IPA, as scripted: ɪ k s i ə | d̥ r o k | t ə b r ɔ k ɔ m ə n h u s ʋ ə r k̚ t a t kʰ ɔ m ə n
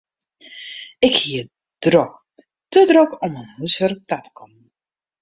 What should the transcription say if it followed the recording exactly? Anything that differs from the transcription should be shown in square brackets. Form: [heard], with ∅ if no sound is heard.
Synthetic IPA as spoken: ɪ k [h] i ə | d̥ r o k | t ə [d] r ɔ k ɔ m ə n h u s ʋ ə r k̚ t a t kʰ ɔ m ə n